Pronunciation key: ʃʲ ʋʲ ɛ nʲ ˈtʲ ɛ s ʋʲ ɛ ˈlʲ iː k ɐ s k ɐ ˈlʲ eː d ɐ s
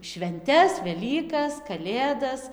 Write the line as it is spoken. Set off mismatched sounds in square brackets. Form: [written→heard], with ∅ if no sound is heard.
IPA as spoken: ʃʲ ʋʲ ɛ nʲ ˈtʲ ɛ s ʋʲ ɛ ˈlʲ iː k ɐ s k ɐ ˈlʲ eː d ɐ s

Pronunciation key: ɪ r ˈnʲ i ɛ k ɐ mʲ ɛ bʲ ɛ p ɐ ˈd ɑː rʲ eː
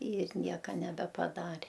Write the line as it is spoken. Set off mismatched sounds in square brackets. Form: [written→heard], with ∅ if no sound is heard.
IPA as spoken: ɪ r ˈnʲ i ɛ k ɐ [mʲ→nʲ] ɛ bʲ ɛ p ɐ ˈd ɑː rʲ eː

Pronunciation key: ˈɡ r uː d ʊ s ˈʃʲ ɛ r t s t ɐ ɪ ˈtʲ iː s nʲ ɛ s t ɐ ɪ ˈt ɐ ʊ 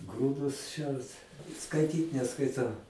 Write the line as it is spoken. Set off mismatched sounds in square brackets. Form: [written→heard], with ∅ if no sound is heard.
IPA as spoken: ˈɡ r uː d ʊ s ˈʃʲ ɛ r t s [t→k] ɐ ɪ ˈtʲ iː [s→t] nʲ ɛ s [t→k] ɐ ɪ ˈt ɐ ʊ

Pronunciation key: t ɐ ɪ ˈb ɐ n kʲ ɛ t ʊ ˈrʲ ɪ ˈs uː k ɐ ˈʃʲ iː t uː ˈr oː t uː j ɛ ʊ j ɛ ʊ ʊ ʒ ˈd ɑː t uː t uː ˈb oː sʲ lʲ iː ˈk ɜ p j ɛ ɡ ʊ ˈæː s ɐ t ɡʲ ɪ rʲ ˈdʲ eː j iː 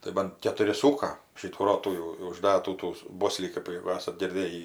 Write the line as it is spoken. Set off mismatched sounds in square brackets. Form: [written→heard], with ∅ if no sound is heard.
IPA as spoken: t ɐ ɪ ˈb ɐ n kʲ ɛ t ʊ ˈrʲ ɪ ˈs uː k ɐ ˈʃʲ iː t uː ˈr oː t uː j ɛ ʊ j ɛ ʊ ʊ ʒ ˈd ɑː t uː t uː ˈb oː sʲ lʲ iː ˈk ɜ p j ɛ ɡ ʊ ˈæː s ɐ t ɡʲ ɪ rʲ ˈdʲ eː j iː

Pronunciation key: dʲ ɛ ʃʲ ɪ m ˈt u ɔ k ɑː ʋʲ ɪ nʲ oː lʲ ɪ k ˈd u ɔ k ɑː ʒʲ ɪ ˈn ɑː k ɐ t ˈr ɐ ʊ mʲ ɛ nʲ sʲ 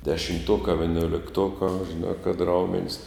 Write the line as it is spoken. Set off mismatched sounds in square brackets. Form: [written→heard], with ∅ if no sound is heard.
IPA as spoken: dʲ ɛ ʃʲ ɪ m ˈt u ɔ k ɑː ʋʲ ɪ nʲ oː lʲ ɪ k [ˈd→ˈt] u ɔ k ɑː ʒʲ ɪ ˈn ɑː k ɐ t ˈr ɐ ʊ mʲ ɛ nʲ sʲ

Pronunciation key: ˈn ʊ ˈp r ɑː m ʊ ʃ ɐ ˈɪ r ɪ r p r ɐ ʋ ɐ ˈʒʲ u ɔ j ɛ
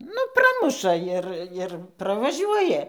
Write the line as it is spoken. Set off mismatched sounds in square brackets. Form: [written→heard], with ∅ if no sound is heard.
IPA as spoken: ˈn ʊ ˈp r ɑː m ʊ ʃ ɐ ˈɪ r ɪ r p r ɐ ʋ ɐ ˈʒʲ u ɔ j ɛ

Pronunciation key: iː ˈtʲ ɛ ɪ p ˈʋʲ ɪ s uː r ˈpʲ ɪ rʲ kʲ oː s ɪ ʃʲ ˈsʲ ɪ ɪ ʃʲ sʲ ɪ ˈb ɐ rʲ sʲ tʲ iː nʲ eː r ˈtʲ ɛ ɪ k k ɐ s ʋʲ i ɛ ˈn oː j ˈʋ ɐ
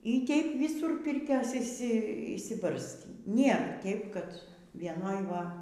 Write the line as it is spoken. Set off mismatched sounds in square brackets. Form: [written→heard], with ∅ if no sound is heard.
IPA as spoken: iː ˈtʲ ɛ ɪ p ˈʋʲ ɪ s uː r ˈpʲ ɪ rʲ kʲ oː s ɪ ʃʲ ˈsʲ ɪ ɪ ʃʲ sʲ ɪ ˈb ɐ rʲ sʲ tʲ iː nʲ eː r ˈtʲ ɛ ɪ [k→p] k ɐ [s→t] ʋʲ i ɛ ˈn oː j ˈʋ ɐ

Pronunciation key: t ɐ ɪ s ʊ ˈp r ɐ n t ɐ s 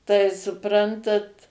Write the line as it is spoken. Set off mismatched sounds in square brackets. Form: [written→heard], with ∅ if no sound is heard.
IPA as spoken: t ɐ ɪ s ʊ ˈp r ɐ n t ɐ [s→t]

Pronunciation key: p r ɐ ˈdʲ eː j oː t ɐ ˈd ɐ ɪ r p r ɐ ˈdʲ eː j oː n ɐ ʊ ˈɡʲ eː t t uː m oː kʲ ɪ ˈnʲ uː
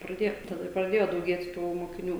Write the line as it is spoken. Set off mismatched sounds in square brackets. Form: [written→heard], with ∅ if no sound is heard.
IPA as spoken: p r ɐ ˈdʲ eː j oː t ɐ ˈd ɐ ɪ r p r ɐ ˈdʲ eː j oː [n→d] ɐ ʊ ˈɡʲ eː t t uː m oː kʲ ɪ ˈnʲ uː

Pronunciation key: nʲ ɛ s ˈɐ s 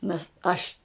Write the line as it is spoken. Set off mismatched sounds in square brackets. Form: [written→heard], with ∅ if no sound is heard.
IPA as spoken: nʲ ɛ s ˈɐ [s→ʃ]

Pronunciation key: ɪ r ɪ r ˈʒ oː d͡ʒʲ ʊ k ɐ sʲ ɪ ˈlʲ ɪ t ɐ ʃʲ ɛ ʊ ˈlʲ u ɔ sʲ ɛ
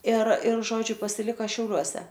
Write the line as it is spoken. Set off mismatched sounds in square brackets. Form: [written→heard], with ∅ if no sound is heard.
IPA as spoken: ɪ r ɪ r ˈʒ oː d͡ʒʲ ʊ [k→p] ɐ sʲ ɪ ˈlʲ ɪ [t→k] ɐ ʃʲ ɛ ʊ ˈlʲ u ɔ sʲ ɛ

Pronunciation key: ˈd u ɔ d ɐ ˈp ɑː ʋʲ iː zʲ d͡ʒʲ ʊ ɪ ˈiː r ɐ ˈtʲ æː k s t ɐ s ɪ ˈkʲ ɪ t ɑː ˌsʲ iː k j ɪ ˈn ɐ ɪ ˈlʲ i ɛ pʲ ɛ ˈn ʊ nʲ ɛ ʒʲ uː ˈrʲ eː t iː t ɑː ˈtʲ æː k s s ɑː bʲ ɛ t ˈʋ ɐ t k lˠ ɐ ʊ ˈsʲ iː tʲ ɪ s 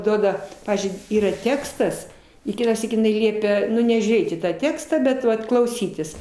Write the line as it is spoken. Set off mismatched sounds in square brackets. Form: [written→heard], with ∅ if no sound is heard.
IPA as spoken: ˈd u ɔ d ɐ ˈp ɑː ʋʲ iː zʲ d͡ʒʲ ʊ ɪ ˈiː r ɐ ˈtʲ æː k s t ɐ s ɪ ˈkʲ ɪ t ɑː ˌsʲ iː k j ɪ ˈn ɐ ɪ ˈlʲ i ɛ pʲ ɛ ˈn ʊ nʲ ɛ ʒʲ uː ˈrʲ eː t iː t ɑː ˈtʲ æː k s [s→t] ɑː bʲ ɛ t ˈʋ ɐ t k lˠ ɐ ʊ ˈsʲ iː tʲ ɪ s

